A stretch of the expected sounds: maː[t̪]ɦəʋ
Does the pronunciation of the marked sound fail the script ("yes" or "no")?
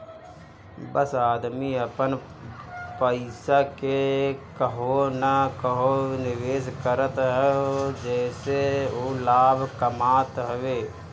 no